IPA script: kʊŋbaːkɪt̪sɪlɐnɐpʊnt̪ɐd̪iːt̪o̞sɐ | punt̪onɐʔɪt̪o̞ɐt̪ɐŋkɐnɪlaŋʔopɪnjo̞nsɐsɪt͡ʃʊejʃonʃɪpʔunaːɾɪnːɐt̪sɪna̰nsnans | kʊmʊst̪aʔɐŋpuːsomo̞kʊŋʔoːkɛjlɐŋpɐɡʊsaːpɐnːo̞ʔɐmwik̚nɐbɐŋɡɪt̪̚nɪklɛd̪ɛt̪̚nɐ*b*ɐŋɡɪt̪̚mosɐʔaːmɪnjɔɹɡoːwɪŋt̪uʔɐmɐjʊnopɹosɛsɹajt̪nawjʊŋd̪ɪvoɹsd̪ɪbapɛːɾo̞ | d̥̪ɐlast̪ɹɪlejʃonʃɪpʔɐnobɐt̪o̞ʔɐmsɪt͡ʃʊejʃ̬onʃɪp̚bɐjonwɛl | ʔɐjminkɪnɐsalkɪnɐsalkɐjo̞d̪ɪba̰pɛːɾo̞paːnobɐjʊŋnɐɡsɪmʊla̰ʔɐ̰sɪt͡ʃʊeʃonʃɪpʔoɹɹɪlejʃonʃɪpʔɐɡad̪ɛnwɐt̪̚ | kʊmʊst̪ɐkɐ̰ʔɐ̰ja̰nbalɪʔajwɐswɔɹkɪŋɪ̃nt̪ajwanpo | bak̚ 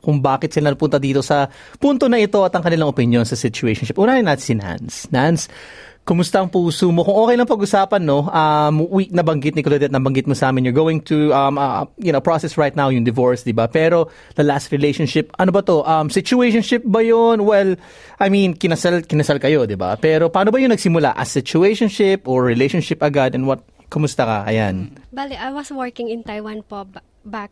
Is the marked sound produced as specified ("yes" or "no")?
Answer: yes